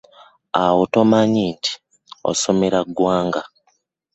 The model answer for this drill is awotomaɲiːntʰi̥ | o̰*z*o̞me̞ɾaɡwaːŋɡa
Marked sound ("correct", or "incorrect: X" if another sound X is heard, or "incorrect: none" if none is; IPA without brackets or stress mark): incorrect: s